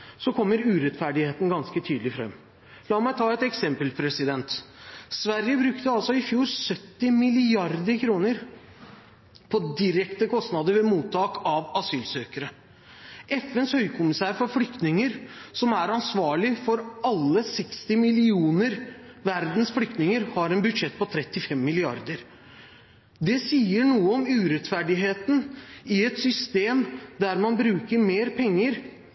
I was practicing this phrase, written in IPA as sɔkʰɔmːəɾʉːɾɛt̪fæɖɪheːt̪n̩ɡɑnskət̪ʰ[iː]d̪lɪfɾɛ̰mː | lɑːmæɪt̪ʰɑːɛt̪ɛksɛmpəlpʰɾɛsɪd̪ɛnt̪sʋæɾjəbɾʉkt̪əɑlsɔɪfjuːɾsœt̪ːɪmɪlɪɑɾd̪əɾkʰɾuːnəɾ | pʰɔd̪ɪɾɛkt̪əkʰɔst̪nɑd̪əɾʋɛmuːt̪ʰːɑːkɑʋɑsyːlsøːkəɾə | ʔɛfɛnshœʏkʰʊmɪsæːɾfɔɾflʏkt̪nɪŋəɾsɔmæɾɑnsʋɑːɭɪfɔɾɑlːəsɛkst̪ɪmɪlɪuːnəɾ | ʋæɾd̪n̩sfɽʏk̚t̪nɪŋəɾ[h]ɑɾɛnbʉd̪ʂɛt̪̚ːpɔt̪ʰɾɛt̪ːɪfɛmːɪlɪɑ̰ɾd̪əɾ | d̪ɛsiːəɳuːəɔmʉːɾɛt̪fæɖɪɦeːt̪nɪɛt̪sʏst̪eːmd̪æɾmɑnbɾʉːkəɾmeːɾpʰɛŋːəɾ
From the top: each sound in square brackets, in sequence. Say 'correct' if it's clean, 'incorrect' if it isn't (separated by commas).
incorrect, correct